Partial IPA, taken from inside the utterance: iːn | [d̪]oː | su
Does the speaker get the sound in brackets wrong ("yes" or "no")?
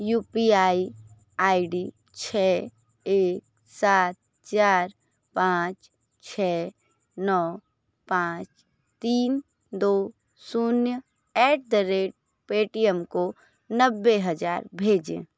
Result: no